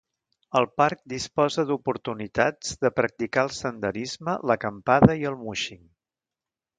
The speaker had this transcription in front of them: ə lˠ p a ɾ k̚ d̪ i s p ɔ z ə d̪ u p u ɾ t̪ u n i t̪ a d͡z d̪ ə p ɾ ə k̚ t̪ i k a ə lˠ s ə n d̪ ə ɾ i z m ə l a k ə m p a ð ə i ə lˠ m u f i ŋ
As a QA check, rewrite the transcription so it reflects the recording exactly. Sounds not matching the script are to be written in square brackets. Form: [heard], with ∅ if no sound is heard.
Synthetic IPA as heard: ə lˠ p a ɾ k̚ d̪ i s p ɔ z ə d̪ u p u ɾ t̪ u n i t̪ a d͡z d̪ ə p ɾ ə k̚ t̪ i k a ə lˠ s ə n d̪ ə ɾ i z m ə l [ə] k ə m p a ð ə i ə lˠ m u [ʃ] i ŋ

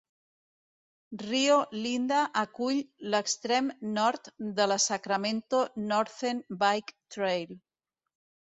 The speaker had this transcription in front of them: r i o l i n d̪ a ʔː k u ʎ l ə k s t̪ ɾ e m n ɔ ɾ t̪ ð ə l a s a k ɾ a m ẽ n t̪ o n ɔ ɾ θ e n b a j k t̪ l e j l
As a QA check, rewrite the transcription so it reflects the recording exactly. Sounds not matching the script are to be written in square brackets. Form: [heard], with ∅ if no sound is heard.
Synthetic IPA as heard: r i o l i n d̪ a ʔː k u ʎ l ə k s t̪ ɾ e m n ɔ ɾ t̪ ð ə l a s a k ɾ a m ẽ n t̪ o n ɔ ɾ θ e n b a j k t̪ [ɾ] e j l

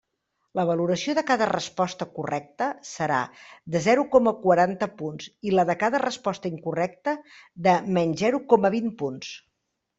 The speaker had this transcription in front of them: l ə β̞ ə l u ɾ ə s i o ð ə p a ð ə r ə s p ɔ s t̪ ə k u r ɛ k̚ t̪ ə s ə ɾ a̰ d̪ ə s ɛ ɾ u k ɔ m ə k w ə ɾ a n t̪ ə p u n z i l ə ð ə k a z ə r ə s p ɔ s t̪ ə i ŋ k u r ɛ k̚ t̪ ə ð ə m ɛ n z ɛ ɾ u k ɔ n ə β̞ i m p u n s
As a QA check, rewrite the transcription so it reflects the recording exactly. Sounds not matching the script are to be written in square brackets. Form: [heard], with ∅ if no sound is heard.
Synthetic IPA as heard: l ə β̞ ə l u ɾ ə s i o ð ə [k] a ð ə r ə s p ɔ s t̪ ə k u r ɛ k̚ t̪ ə s ə ɾ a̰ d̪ ə [z] ɛ ɾ u k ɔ m ə k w ə ɾ a n t̪ ə p u n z i l ə ð ə k a [ð] ə r ə s p ɔ s t̪ ə i ŋ k u r ɛ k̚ t̪ ə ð ə m ɛ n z ɛ ɾ u k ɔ [m] ə β̞ i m p u n s

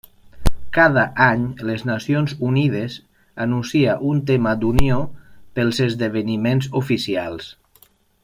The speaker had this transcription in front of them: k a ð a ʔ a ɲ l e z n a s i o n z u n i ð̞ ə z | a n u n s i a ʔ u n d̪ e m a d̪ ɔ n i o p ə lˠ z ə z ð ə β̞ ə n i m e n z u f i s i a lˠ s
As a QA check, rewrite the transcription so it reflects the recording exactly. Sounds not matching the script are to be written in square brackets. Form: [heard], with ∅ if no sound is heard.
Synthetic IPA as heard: k a ð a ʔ a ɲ l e z n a s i o n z u n i ð̞ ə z | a n u n s i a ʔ u n [t̪] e m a d̪ [u] n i o p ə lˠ z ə z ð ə β̞ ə n i m e n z u f i s i a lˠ s

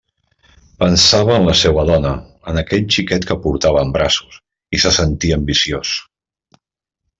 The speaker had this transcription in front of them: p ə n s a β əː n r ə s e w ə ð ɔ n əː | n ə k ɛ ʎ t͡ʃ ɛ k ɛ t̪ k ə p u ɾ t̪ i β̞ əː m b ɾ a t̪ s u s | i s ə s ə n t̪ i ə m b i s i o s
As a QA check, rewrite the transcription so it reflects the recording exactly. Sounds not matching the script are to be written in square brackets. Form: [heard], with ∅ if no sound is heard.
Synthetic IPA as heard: p ə n s a β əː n [l] ə s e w ə ð ɔ n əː | n ə k ɛ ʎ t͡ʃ [i] k ɛ t̪ k ə p u ɾ t̪ [a] β̞ əː m b ɾ a [∅] s u s | i s ə s ə n t̪ i ə m b i s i o s

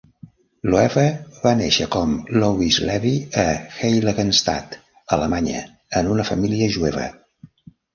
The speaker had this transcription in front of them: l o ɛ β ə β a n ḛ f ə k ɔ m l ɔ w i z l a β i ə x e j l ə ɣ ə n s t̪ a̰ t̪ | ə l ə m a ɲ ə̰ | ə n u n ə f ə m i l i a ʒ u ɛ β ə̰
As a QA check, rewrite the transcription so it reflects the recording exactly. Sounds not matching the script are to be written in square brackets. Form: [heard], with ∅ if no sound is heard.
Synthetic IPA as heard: l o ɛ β ə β a n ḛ [ʃ] ə k ɔ m l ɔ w i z l [ɛ] β i ə x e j l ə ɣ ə n s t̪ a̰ t̪ | ə l ə m a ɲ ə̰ | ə n u n ə f ə m i l i [ə] ʒ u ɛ β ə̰

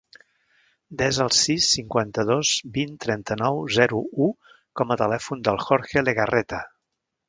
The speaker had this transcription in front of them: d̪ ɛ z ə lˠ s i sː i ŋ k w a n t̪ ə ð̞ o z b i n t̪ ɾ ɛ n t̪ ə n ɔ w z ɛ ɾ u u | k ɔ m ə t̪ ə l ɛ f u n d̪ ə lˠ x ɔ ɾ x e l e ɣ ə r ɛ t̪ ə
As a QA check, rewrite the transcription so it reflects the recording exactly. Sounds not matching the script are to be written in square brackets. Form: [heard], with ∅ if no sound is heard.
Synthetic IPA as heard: d̪ ɛ z ə lˠ s i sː i ŋ k w a n t̪ ə ð̞ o z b i n t̪ ɾ ɛ n t̪ ə n ɔ w z ɛ ɾ u u | k ɔ m ə t̪ ə l ɛ f u n d̪ ə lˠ x ɔ ɾ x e l e ɣ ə r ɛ t̪ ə

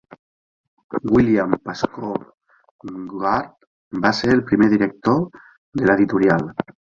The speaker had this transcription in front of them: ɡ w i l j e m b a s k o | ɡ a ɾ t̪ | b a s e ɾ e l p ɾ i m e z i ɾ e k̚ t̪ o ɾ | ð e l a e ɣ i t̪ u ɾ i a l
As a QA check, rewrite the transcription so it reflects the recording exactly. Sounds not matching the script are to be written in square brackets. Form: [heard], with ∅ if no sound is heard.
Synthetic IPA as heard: ɡ w i l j [a] m [p] a s k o | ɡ a ɾ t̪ | b a s e ɾ e l p ɾ i m e [ð] i ɾ e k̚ t̪ o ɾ | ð e l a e [ð] i t̪ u ɾ [j] a l

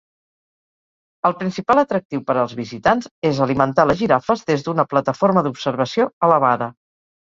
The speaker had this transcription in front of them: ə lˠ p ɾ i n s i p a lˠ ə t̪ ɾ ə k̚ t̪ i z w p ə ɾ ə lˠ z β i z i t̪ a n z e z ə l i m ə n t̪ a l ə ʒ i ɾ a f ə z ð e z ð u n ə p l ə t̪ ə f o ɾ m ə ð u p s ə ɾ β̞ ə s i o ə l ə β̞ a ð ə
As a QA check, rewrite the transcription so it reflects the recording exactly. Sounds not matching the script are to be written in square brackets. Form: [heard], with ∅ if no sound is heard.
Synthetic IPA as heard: ə lˠ p ɾ i n s i p a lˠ ə t̪ ɾ ə k̚ t̪ i [∅] w p ə ɾ ə lˠ z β i z i t̪ a n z e z ə l i m ə n t̪ a l ə ʒ i ɾ a f ə z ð e z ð u n ə p l ə t̪ ə f o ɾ m ə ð u p s ə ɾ β̞ ə s i o ə l ə β̞ a ð ə

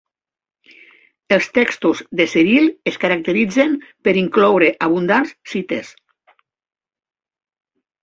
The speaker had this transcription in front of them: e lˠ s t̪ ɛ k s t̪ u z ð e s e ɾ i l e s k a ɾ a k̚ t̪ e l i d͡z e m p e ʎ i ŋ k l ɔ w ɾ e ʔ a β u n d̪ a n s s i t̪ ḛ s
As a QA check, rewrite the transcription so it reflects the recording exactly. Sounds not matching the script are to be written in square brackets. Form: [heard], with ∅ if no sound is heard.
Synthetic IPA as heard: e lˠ s t̪ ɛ k s t̪ u z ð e s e ɾ i l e s k a ɾ a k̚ t̪ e [ɾ] i d͡z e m p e [ɾ] i ŋ k l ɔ w ɾ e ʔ a β u n d̪ a n s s i t̪ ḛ s

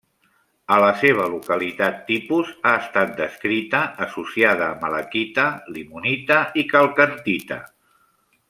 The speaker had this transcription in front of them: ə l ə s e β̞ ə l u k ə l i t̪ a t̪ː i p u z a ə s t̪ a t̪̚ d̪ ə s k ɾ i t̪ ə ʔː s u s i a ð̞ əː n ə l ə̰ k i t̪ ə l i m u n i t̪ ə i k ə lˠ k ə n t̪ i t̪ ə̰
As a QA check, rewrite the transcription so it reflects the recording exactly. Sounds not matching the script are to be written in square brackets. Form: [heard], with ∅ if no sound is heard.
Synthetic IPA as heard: ə l ə s e β̞ ə l u k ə l i t̪ a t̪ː i p u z a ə s t̪ a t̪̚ d̪ ə s k ɾ i t̪ ə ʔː s u s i a ð̞ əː [m] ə l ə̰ k i t̪ ə l i m u n i t̪ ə i k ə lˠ k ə n t̪ i t̪ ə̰

